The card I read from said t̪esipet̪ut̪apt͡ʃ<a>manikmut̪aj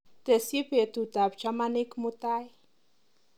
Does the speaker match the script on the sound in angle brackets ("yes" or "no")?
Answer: yes